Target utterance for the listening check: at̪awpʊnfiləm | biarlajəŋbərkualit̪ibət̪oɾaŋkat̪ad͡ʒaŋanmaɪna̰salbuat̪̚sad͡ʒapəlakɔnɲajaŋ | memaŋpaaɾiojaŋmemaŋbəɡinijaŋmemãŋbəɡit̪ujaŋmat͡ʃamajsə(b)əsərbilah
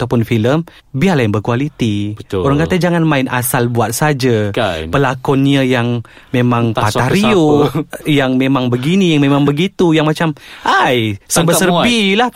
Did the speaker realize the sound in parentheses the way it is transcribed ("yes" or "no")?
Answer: yes